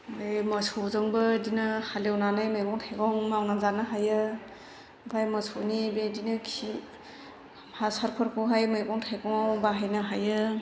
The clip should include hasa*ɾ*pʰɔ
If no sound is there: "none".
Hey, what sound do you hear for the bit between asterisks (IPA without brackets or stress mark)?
ɾ